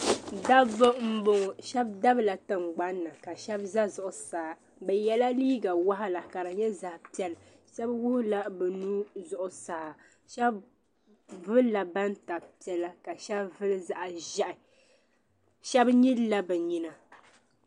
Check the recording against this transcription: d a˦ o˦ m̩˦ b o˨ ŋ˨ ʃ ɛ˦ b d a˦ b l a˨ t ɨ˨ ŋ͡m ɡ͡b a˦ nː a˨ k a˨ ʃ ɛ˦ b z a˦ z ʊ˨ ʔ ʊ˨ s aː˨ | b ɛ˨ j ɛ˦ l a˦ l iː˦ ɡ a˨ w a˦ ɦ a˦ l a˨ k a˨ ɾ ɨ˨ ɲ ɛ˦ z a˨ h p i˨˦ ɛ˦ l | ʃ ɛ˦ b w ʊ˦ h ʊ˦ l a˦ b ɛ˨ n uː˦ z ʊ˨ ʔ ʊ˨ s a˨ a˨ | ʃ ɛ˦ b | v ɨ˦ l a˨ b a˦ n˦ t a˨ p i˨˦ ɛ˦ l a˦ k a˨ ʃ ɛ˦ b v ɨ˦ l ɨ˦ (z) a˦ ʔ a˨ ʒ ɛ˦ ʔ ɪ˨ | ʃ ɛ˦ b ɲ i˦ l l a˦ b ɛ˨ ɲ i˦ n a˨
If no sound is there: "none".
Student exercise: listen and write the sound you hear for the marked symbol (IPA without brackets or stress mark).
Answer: z